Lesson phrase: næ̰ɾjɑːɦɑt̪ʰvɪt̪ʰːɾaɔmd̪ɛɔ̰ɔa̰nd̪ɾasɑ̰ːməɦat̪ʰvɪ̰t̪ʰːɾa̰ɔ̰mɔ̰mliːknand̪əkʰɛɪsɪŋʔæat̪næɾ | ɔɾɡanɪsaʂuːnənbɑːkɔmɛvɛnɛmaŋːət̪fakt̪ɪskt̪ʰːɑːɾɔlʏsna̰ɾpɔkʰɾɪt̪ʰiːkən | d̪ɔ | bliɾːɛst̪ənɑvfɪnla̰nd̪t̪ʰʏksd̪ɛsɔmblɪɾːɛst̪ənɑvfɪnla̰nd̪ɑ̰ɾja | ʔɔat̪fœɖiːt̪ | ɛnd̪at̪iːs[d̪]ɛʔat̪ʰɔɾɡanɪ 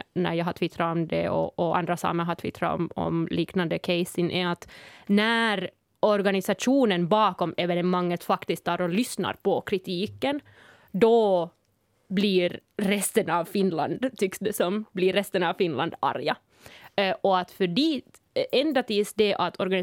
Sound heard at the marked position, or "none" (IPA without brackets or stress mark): d̪